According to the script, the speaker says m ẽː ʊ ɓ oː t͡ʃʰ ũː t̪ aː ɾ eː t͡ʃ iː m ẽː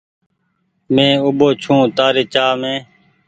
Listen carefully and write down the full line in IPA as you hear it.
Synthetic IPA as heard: m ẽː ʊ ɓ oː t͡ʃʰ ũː t̪ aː ɾ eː t͡ʃ aː m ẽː